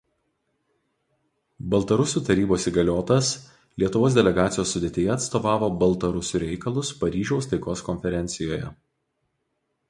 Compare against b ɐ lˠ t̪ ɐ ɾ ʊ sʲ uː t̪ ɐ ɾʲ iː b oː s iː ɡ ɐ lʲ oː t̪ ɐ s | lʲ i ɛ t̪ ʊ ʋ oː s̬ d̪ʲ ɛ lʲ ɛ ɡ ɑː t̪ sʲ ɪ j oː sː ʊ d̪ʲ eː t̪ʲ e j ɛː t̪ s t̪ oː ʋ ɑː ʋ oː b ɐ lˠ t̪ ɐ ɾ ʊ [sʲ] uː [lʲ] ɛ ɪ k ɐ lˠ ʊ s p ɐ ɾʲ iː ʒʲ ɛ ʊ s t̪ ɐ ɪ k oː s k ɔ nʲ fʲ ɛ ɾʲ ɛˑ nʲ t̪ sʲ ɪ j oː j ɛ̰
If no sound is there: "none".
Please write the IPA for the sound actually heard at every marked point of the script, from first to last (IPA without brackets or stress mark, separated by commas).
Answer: sʲ, ɾʲ